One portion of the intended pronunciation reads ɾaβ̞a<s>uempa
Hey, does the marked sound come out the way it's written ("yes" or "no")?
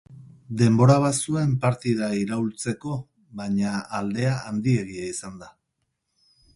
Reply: yes